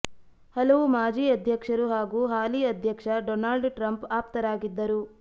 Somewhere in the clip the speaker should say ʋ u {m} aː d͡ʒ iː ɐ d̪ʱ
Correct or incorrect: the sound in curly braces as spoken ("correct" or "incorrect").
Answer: correct